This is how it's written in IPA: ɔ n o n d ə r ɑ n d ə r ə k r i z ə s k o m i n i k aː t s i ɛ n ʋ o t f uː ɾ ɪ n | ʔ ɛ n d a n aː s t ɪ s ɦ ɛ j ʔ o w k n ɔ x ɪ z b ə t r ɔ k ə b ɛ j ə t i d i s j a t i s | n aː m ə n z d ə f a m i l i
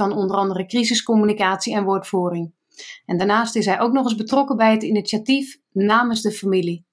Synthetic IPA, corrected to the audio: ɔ n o n d ə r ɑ n d ə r ə k r i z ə s k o m y n i k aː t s i ɛ n ʋ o t f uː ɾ ɪ ŋ | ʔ ɛ n d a n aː s t ɪ s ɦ ɛ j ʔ o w k n ɔ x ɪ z b ə t r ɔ k ə b ɛ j ə t i n i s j a t i f | n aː m ə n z d ə f a m i l i